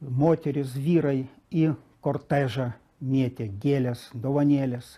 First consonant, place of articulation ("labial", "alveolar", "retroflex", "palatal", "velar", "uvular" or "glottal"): labial